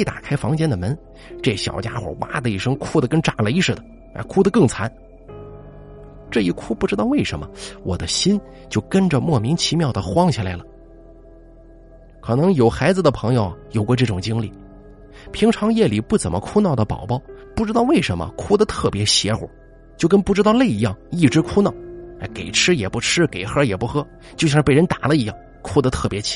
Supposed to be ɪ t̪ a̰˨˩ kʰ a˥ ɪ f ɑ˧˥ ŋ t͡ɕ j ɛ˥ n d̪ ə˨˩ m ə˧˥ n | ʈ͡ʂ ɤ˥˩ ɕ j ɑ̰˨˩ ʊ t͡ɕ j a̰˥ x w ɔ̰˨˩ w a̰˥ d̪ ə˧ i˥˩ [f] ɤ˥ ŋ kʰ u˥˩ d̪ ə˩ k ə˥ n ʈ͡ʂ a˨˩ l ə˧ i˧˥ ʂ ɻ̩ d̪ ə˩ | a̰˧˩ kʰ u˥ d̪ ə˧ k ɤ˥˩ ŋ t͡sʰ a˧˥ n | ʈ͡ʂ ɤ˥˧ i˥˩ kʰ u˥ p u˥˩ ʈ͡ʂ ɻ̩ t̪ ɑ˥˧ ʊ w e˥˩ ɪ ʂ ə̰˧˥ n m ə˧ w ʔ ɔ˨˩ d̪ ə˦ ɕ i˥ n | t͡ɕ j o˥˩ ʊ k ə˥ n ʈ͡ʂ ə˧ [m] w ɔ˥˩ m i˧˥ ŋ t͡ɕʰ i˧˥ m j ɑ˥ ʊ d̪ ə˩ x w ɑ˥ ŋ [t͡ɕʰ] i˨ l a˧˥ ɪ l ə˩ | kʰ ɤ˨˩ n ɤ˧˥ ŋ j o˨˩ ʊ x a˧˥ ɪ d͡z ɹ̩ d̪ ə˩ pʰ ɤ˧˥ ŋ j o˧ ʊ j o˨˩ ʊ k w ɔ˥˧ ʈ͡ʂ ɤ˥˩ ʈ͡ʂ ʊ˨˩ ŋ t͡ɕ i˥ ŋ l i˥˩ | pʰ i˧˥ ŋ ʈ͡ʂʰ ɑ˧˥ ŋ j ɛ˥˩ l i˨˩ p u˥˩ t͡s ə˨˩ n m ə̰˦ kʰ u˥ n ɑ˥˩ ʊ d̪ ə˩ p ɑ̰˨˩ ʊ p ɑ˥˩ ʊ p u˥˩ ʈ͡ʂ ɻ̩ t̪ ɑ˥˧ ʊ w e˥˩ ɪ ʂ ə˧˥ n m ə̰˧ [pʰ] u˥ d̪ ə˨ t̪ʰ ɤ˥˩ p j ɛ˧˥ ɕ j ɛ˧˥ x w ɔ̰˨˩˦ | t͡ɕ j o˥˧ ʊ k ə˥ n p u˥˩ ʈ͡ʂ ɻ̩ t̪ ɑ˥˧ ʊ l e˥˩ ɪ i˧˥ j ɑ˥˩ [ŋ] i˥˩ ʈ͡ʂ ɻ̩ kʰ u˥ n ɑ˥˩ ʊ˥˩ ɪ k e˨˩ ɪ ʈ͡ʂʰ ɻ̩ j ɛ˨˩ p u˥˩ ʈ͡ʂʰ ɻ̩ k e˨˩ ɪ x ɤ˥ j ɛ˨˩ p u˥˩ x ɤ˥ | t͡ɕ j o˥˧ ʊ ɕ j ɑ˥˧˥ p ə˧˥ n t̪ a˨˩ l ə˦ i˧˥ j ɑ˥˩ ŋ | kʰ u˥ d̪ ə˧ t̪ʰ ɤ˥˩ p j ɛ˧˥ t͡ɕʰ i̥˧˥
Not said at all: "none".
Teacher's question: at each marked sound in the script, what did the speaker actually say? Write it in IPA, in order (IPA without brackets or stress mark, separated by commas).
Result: ʂ, m, t͡ɕʰ, kʰ, ŋ